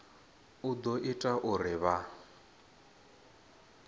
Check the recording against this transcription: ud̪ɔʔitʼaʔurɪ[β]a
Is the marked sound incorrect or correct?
correct